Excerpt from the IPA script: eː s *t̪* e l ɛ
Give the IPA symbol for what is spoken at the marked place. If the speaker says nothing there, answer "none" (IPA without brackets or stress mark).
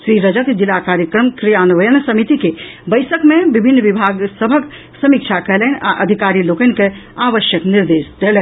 d̪